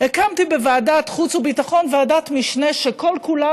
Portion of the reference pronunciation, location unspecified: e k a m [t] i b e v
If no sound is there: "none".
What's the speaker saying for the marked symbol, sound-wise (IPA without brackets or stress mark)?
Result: t